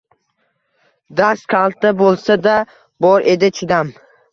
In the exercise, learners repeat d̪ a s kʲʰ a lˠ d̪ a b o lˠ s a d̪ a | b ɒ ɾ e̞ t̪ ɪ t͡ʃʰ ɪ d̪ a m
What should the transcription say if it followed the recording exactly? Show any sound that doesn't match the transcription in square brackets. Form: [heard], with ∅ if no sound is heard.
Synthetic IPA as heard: d̪ a s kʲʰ a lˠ [t̪] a b o lˠ s a d̪ a | b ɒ ɾ e̞ [d̪] ɪ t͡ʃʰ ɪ d̪ a m